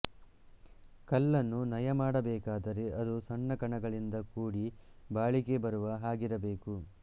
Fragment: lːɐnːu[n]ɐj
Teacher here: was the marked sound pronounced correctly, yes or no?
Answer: yes